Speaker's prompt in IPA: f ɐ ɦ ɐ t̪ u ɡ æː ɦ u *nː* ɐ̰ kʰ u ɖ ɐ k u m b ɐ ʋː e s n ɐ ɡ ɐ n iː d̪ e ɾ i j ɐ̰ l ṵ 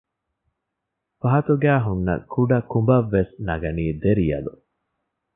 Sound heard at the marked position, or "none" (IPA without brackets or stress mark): nː